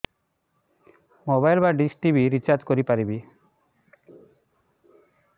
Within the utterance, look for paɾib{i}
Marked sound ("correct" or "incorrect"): correct